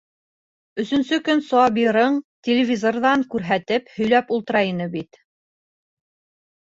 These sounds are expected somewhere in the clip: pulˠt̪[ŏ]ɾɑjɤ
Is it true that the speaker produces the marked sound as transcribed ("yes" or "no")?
no